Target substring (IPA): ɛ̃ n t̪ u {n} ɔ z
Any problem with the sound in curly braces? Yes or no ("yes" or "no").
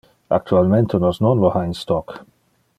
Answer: no